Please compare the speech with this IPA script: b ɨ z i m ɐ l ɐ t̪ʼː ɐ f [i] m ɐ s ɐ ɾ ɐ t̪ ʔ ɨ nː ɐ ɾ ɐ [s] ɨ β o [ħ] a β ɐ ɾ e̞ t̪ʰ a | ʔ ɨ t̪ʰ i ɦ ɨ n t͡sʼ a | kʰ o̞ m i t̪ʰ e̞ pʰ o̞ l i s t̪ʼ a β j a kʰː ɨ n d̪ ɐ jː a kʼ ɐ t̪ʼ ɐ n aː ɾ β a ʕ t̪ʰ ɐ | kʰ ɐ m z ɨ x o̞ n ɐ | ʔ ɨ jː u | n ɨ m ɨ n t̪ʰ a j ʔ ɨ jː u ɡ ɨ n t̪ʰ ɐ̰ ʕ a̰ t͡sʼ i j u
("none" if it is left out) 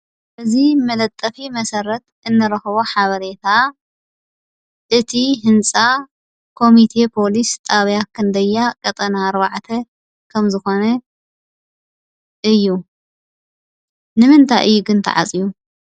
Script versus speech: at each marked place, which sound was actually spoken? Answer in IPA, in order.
i, x, ħ

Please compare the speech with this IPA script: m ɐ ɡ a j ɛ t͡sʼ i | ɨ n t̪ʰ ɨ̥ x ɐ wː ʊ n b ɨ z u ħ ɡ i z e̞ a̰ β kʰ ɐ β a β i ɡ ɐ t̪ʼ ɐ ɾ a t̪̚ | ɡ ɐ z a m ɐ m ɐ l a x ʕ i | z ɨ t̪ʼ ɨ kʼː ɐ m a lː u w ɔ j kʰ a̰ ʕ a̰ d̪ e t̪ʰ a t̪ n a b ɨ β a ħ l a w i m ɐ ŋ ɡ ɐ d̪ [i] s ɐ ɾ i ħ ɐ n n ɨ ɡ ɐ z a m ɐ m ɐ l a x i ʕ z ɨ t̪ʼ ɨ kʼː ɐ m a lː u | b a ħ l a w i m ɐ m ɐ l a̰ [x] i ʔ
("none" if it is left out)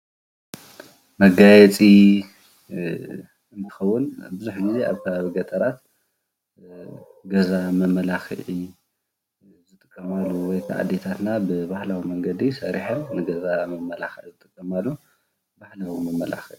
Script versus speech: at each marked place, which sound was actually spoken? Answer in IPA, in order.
i, x

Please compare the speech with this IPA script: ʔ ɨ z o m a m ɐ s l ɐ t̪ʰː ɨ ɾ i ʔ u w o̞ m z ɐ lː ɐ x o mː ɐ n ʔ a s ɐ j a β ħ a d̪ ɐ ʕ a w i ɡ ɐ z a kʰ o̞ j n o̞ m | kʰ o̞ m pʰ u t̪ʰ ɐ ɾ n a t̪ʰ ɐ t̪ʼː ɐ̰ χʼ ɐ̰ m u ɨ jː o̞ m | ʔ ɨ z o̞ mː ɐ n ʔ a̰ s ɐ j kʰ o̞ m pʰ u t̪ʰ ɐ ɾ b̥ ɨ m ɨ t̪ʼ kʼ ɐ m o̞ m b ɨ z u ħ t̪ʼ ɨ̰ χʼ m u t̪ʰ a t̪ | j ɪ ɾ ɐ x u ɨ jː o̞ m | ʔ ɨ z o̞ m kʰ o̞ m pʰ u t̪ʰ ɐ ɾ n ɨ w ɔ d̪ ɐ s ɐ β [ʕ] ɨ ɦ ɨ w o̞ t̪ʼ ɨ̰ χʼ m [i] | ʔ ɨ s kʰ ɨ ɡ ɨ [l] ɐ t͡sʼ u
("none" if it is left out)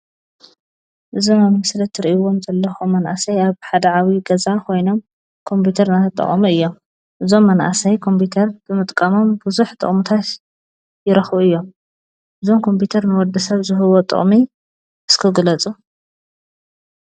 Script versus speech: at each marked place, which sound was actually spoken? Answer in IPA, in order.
z, i, l

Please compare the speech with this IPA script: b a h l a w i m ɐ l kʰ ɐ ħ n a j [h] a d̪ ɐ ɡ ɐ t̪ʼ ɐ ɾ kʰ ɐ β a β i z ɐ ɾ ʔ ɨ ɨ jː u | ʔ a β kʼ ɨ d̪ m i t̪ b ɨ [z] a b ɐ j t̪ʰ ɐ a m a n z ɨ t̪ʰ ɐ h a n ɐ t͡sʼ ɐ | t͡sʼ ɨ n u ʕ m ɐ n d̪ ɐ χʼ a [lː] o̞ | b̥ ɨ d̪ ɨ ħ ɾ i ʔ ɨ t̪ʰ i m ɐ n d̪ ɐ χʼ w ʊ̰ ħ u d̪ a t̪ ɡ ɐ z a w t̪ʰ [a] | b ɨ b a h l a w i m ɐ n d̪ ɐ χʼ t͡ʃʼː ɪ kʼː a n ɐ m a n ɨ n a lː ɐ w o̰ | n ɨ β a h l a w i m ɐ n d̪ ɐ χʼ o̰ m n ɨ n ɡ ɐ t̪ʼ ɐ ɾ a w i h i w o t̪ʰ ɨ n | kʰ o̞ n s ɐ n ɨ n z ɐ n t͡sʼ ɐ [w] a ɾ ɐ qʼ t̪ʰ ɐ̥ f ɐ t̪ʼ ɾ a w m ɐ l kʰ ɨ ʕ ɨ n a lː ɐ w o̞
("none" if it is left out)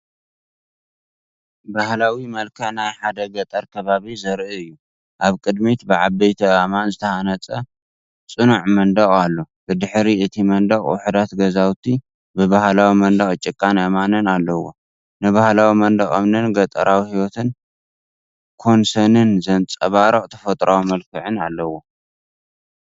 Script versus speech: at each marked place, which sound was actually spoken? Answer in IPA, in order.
ħ, ʕ, lː, i, β

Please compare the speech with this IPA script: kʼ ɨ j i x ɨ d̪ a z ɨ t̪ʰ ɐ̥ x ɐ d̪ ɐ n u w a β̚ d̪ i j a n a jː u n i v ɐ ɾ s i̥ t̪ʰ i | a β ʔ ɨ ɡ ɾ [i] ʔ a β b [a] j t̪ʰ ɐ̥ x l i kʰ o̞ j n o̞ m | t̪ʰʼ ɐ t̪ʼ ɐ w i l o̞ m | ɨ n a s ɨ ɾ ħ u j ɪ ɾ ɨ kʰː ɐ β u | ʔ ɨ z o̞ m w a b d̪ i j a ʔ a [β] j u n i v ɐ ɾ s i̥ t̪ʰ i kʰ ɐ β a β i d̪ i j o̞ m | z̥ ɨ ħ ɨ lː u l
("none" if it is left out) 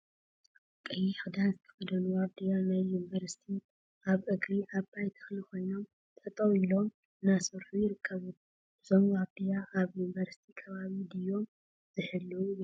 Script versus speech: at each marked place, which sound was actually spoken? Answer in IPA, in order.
i, a, β

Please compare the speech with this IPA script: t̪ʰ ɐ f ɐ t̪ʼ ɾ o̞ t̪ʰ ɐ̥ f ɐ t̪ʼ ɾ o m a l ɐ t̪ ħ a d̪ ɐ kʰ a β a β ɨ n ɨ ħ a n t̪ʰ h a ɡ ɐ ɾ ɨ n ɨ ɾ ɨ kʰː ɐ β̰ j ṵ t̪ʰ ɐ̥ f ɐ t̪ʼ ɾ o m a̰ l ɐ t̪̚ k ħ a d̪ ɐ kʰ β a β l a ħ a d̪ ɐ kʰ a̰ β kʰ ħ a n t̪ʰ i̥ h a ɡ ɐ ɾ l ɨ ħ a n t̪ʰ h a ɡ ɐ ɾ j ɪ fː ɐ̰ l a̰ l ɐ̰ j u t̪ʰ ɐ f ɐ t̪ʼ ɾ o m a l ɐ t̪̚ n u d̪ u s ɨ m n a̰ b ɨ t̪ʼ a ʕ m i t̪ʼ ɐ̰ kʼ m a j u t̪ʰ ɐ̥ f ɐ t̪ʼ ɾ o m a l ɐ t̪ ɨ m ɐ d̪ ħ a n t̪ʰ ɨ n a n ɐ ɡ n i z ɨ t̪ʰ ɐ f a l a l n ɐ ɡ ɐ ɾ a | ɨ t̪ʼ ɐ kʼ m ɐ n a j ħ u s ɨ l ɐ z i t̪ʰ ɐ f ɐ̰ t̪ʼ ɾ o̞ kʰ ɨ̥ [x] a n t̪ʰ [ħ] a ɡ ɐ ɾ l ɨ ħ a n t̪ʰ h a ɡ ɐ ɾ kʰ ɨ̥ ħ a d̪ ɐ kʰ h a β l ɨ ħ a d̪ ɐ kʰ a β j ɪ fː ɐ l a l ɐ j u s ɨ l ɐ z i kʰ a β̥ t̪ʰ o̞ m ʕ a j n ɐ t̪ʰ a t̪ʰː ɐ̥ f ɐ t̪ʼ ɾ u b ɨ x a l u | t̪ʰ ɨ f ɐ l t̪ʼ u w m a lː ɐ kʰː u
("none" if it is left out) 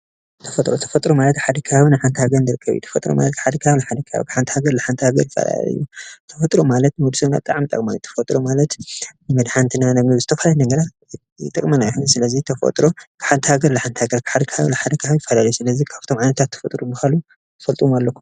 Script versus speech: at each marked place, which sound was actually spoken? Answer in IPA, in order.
ħ, h

